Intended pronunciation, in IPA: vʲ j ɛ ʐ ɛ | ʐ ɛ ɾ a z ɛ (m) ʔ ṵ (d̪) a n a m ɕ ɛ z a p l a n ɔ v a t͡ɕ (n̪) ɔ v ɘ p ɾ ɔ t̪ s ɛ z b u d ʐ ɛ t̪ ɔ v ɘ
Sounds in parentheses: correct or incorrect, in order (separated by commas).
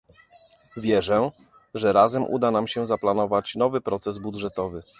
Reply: correct, correct, correct